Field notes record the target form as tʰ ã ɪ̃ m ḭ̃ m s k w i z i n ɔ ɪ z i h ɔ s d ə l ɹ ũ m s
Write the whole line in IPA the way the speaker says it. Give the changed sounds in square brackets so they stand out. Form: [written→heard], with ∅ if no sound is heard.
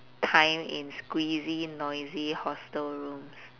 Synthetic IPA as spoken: tʰ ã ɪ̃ m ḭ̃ [m→n] s k w i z i n ɔ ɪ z i h ɔ s [d→t] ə l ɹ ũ m s